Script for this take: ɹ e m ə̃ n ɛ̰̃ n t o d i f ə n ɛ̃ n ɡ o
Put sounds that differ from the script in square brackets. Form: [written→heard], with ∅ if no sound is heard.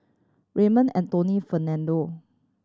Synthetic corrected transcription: ɹ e m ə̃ n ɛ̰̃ n t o [d→n] i f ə n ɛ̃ n [ɡ→d] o